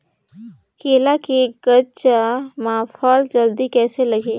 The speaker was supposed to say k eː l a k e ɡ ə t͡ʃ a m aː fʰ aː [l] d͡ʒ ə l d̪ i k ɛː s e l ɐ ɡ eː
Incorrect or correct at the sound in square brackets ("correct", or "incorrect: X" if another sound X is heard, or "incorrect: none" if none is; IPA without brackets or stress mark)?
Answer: correct